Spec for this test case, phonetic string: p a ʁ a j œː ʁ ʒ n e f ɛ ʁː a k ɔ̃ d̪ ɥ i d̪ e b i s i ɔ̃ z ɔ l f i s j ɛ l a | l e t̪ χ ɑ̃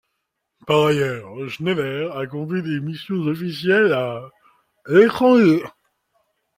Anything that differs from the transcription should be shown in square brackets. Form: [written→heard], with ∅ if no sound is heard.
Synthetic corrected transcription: p a ʁ a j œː ʁ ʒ n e [f→v] ɛ [ʁː→ʁ] a k ɔ̃ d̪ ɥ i d̪ e [b→m] i s [i→j] ɔ̃ z ɔ [l→∅] f i s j ɛ l a | l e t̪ χ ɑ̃